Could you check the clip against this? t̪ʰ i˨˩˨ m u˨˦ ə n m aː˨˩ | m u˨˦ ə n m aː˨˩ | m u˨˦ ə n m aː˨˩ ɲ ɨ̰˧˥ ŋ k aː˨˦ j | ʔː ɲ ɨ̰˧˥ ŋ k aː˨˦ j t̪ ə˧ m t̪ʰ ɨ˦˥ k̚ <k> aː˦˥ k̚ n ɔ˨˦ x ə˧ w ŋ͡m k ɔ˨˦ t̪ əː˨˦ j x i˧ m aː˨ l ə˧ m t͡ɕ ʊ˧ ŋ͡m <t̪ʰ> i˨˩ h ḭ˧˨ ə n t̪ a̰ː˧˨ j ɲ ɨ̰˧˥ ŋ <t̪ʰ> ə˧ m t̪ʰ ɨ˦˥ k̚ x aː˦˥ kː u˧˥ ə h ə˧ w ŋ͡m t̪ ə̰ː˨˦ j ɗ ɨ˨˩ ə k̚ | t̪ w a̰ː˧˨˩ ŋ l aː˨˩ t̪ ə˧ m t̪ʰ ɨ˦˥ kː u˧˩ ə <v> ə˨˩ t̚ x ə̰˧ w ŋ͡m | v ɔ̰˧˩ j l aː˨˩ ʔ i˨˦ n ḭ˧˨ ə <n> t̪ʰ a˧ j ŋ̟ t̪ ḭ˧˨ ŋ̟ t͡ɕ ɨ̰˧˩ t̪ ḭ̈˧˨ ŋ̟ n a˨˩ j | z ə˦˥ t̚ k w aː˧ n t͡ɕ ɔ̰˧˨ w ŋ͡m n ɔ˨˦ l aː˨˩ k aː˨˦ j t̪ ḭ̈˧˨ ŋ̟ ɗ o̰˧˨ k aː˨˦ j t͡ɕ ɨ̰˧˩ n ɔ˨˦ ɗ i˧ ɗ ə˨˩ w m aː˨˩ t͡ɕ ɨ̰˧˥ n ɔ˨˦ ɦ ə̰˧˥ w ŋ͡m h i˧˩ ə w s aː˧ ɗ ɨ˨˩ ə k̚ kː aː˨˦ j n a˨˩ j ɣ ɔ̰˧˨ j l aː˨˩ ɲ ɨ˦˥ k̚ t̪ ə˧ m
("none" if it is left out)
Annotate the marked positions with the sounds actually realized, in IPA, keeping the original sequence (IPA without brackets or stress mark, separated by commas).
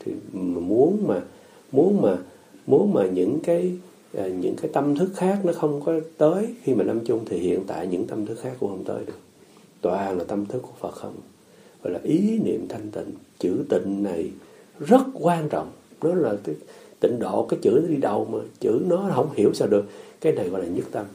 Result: x, t̪ʰ, t̪, f, m